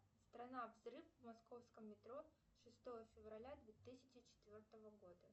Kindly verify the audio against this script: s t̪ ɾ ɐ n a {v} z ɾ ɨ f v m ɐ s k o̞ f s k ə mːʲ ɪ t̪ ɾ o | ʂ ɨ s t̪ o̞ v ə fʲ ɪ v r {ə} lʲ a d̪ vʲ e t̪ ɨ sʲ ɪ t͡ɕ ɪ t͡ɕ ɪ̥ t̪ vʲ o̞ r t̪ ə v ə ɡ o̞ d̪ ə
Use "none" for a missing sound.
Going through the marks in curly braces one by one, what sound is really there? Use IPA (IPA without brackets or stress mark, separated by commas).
v, ɐ